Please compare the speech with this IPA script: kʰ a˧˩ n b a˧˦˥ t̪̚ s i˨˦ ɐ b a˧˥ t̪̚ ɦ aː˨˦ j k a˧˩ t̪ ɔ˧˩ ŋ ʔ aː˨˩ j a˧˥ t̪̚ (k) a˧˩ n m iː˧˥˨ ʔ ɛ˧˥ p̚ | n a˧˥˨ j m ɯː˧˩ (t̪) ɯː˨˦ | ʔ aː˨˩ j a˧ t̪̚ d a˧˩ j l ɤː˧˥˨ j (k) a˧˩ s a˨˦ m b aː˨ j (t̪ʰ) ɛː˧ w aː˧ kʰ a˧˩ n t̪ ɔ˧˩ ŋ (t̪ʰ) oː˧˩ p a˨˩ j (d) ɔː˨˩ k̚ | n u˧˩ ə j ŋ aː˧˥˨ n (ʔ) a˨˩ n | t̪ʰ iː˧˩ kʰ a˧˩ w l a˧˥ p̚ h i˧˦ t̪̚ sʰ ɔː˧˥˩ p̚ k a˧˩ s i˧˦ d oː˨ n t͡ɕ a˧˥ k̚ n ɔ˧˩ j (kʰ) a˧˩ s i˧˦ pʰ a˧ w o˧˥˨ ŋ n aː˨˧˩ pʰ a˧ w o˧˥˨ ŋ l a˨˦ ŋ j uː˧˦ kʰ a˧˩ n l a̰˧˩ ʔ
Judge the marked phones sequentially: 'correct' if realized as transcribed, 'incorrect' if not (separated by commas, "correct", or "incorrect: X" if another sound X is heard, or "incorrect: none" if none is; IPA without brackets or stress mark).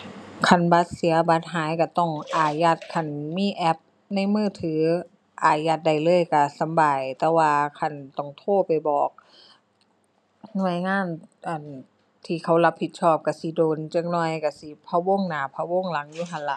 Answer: incorrect: kʰ, incorrect: t̪ʰ, correct, incorrect: t̪, correct, incorrect: b, correct, incorrect: k